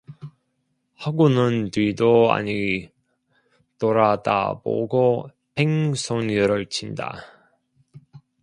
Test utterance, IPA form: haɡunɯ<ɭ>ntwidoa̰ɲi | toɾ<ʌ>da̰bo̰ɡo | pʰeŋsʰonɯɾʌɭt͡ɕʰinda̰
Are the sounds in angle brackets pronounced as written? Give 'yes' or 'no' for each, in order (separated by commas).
no, no